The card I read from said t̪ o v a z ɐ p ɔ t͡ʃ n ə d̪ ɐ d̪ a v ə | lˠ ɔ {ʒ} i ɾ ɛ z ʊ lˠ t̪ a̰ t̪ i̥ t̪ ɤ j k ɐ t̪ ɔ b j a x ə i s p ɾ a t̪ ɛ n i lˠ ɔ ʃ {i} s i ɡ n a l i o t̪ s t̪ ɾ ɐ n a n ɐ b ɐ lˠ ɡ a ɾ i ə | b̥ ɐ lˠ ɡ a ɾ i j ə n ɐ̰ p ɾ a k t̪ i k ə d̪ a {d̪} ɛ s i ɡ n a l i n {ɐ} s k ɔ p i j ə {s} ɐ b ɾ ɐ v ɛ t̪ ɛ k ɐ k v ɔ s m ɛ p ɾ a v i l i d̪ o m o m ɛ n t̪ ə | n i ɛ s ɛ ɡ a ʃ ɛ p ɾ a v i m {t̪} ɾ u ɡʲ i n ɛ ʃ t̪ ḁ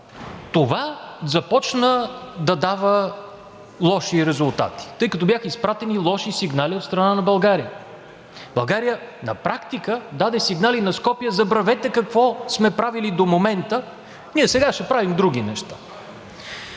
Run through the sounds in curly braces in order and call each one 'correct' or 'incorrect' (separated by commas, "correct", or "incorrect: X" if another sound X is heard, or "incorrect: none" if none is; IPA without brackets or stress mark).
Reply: incorrect: ʃ, correct, correct, correct, incorrect: z, incorrect: d̪